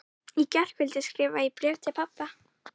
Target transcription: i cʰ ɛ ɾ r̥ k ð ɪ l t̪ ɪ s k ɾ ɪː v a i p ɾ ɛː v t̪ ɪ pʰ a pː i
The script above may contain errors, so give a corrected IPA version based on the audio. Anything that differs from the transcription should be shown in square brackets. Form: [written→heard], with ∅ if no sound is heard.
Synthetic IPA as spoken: i [cʰ→c] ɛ [ɾ→∅] r̥ k [ð→v] ɪ l t̪ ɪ s k ɾ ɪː v a i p ɾ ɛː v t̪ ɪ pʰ a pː [i→a]

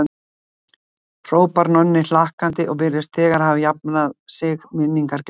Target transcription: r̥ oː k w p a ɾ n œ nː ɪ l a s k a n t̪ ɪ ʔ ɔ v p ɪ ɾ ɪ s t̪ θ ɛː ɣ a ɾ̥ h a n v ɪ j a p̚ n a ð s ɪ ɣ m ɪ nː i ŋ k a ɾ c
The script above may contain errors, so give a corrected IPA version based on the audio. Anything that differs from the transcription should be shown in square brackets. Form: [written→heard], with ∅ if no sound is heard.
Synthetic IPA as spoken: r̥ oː [k→∅] w p a ɾ n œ nː ɪ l a [s→h] k a n t̪ ɪ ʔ ɔ [v→ɣ] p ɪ ɾ ɪ s t̪ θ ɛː ɣ a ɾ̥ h a [n→∅] v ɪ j a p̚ n a ð s ɪ ɣ m ɪ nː i ŋ k a ɾ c

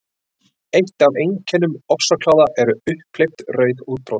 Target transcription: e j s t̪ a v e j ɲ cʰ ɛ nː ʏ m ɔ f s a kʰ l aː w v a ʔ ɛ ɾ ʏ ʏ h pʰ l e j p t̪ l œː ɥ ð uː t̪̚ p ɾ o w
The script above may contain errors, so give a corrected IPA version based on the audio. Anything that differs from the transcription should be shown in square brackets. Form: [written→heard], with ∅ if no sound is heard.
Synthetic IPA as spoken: e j [s→h] t̪ a v e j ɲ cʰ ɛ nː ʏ m ɔ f s a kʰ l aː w [v→ð] a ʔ ɛ ɾ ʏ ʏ h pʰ l e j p t̪ [l→r] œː ɥ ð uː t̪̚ p ɾ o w

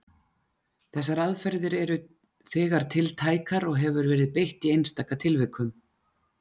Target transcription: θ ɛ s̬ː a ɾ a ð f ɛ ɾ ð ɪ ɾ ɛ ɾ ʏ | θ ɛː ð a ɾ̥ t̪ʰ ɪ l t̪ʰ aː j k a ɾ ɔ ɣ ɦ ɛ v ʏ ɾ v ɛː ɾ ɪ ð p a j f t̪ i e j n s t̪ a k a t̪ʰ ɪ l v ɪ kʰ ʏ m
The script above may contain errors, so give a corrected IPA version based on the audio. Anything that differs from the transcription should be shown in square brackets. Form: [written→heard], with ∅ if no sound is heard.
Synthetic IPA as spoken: θ ɛ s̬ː a ɾ a ð f ɛ ɾ ð ɪ ɾ ɛ ɾ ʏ | θ ɛː [ð→ɣ] a ɾ̥ t̪ʰ ɪ l t̪ʰ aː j k a ɾ ɔ ɣ ɦ ɛ v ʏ ɾ v ɛː ɾ ɪ ð p [a→e] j [f→h] t̪ i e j n s t̪ a k a t̪ʰ ɪ l v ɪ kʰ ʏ m

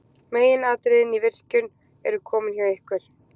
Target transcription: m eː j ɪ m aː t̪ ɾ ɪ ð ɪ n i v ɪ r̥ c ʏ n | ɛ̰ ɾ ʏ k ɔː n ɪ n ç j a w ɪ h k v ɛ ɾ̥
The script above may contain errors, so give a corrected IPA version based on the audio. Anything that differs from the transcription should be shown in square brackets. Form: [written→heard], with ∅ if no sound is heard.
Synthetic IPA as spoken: m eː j ɪ [m→n] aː t̪ ɾ ɪ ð ɪ n i v ɪ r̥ c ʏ n | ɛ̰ ɾ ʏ [k→kʰ] ɔː [n→m] ɪ n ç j a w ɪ h k v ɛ ɾ̥

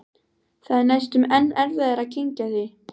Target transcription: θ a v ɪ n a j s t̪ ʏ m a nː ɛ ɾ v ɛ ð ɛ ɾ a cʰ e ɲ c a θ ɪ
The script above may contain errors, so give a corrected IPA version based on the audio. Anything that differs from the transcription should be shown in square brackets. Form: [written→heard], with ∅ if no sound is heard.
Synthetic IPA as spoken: θ a [v→ð] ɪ n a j s t̪ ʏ m [a→ɛ] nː ɛ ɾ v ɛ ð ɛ ɾ a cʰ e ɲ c a θ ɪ

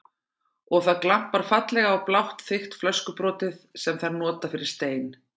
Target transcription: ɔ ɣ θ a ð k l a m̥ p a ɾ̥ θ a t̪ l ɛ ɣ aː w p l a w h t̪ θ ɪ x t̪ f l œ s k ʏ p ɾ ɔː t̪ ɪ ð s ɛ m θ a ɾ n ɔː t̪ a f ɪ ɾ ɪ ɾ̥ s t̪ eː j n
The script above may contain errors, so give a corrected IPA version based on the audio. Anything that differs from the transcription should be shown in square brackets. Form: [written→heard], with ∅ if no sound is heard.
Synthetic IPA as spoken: ɔ ɣ θ a ð k l a m̥ p a ɾ̥ [θ→f] a t̪ l ɛ ɣ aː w p l a w h t̪ θ ɪ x t̪ f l œ s k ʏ p ɾ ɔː t̪ ɪ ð s ɛ m θ a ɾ n ɔː t̪ a f ɪ ɾ ɪ ɾ̥ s t̪ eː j n

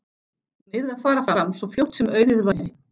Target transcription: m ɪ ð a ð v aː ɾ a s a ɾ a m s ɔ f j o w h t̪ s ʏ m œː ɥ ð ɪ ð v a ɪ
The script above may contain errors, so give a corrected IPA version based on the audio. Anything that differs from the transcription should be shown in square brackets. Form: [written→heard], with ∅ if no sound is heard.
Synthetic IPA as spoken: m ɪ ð a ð [v→f] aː ɾ a [s→f] a ɾ a m s ɔ f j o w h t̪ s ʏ m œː ɥ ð ɪ ð v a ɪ

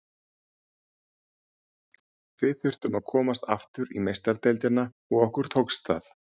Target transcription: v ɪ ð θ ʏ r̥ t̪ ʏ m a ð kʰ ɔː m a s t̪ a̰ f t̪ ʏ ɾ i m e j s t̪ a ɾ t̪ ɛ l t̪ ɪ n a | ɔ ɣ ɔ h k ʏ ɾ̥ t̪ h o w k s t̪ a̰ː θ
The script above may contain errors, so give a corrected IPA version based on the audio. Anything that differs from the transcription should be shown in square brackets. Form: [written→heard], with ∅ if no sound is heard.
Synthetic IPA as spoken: v ɪ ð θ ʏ r̥ t̪ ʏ m a ð kʰ ɔː m a s t̪ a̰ f t̪ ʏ ɾ i m e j s t̪ a ɾ t̪ ɛ l t̪ ɪ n a | ɔ ɣ ɔ h k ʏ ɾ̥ t̪ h o w k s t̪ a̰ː θ

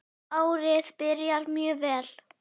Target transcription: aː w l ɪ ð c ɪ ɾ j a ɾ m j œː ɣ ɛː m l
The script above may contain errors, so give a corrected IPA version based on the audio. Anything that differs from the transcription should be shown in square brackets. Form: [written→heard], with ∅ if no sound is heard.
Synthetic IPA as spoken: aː w [l→ɾ] ɪ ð [c→p] ɪ ɾ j a ɾ m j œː [ɣ→v] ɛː [m→∅] l

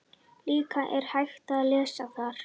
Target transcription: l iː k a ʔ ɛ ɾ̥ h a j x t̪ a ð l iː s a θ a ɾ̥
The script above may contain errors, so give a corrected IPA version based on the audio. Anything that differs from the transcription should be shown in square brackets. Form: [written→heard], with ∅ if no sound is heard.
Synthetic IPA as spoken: l iː k a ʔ ɛ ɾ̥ h a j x t̪ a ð l [iː→ɛː] s a θ a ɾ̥

